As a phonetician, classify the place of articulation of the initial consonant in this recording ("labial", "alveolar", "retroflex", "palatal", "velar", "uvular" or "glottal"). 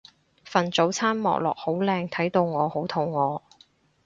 labial